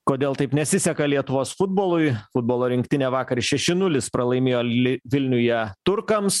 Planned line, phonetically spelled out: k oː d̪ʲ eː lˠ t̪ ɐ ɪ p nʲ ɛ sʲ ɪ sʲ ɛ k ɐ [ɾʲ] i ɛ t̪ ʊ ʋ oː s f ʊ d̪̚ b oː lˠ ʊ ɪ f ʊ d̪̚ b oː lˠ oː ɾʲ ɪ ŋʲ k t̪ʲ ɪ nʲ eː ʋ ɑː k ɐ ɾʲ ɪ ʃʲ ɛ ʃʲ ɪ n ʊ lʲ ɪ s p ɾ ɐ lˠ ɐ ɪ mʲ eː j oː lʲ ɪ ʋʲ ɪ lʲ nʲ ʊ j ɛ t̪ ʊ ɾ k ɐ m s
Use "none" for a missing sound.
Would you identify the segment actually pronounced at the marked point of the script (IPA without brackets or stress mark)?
lʲ